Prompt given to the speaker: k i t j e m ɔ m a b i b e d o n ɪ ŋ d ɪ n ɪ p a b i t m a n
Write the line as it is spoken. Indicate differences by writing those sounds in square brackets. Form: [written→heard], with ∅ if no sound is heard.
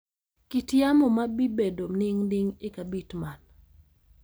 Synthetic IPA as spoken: k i t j [e→a] m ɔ m a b i b e d o n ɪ ŋ d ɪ [n→ŋ] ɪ [p→k] a b i t m a n